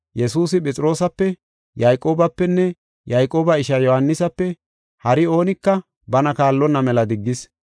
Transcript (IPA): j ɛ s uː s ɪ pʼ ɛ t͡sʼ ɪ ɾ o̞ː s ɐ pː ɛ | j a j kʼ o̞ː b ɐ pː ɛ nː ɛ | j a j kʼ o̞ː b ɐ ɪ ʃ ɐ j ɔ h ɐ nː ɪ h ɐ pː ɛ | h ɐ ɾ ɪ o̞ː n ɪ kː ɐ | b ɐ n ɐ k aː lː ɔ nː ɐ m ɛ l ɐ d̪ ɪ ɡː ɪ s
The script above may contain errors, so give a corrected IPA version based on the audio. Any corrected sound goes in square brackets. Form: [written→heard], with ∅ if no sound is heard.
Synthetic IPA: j ɛ s uː s ɪ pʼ ɛ t͡sʼ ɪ ɾ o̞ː s ɐ pː ɛ | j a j kʼ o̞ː b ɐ pː ɛ nː ɛ | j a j kʼ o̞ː b ɐ ɪ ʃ ɐ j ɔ h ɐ nː ɪ [h→s] ɐ pː ɛ | h ɐ ɾ ɪ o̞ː n ɪ kː ɐ | b ɐ n ɐ k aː lː ɔ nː ɐ m ɛ l ɐ d̪ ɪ ɡː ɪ s